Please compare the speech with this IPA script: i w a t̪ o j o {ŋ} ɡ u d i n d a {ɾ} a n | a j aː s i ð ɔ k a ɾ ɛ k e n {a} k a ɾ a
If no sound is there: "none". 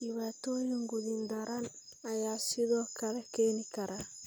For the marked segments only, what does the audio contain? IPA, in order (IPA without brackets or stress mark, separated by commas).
ŋ, ɾ, i